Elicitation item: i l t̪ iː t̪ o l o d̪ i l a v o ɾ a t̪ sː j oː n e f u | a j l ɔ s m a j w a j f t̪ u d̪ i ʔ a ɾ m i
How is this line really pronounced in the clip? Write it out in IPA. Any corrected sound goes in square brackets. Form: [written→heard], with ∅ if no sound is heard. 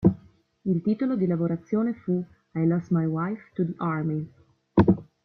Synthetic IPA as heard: i l t̪ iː t̪ o l o d̪ i l a v o ɾ a t̪ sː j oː n e f u | a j l ɔ s m a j w a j f t̪ u d̪ i ʔ a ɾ m i